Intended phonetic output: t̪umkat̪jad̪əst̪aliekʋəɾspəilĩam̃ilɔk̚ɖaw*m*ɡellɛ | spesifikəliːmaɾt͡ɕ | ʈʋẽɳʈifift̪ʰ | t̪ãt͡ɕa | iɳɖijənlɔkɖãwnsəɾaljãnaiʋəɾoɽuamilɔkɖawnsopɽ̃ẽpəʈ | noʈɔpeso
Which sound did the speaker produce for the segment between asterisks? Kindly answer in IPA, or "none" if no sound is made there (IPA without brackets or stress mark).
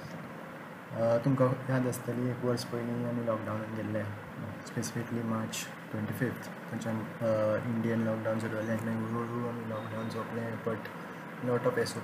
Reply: n